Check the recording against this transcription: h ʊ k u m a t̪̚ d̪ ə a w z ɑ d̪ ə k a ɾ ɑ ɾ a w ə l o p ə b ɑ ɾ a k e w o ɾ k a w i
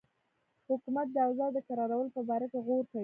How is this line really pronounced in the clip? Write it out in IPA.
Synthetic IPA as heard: h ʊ k u m a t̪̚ d̪ ə a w z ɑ d̪ ə k a ɾ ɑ ɾ a w ə l o p ə b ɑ ɾ a k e ɣ o ɾ k a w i